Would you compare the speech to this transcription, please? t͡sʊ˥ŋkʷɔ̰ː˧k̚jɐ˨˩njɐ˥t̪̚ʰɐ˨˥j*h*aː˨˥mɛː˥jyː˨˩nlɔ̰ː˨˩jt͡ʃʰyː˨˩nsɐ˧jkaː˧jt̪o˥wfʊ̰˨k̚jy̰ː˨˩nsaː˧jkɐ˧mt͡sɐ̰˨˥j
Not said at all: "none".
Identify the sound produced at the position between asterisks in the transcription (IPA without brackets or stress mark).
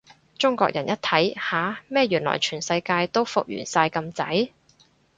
h